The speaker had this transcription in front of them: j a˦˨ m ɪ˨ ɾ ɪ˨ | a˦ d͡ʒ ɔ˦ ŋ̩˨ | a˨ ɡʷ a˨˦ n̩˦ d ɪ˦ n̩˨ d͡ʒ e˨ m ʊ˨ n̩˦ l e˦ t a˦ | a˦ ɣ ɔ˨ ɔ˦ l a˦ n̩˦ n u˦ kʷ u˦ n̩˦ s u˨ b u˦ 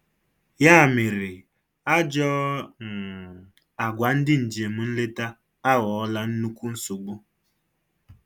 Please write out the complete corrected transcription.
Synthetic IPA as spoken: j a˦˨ m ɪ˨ ɾ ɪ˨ | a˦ d͡ʒ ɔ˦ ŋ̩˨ | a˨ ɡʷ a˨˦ n̩˦ d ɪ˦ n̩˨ d͡ʒ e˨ m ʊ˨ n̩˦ l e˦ t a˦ | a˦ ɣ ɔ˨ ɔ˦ l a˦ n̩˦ n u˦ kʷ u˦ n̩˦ s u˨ ɡ͡b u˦